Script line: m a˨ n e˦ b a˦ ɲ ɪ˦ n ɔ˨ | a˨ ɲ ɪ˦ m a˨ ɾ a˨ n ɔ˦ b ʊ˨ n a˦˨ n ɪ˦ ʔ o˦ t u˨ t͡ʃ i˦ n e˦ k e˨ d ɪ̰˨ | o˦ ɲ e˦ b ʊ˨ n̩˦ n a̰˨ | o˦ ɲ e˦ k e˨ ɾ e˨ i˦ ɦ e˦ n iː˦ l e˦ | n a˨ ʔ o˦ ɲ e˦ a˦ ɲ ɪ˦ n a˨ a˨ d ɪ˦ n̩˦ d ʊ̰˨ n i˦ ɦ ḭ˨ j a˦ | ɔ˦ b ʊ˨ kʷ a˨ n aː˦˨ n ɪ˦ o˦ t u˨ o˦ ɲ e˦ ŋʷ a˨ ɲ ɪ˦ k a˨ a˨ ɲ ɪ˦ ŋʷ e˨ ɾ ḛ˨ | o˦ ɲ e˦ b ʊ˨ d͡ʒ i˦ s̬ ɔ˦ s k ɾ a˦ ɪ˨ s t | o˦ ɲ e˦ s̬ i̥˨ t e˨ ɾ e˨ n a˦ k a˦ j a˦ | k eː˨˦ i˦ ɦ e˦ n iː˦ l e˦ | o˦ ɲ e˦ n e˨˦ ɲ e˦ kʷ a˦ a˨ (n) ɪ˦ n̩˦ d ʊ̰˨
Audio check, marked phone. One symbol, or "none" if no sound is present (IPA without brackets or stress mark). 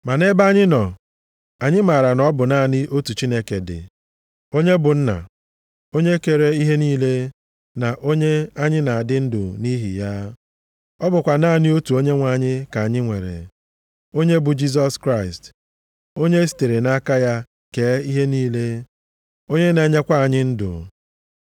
ɲ